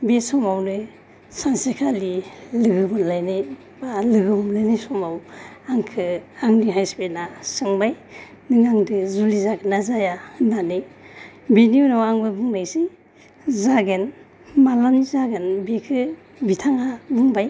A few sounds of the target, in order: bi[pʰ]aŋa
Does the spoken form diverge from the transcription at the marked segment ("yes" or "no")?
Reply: yes